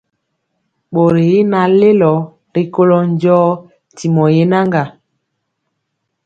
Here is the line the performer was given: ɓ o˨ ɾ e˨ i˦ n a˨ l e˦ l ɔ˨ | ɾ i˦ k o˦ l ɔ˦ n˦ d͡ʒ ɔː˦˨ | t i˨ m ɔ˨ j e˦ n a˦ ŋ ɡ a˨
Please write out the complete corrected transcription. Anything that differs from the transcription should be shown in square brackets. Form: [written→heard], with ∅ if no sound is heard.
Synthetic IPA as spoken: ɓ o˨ ɾ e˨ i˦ n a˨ l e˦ l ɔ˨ | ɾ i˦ k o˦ l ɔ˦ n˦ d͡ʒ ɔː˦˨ | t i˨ m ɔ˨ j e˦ n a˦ ŋ ɡ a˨